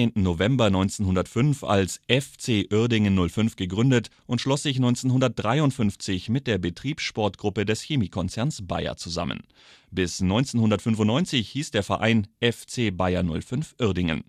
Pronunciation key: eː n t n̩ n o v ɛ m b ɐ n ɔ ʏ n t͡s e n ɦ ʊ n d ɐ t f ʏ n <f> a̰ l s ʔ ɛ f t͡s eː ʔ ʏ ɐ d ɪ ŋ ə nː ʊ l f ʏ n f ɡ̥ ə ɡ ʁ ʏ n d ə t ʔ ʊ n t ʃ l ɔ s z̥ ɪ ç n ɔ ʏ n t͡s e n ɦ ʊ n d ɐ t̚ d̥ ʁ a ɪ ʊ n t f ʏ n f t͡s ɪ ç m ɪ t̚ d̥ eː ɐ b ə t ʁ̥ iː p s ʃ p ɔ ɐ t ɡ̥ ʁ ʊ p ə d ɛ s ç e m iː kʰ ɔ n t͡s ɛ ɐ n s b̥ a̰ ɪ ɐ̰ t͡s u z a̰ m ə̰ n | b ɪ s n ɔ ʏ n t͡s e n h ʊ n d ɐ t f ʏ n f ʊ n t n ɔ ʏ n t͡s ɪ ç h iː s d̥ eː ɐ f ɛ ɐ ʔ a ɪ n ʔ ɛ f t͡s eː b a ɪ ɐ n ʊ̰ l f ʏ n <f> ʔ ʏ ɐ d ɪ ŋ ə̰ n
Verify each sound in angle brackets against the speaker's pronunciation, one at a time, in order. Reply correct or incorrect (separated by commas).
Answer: correct, correct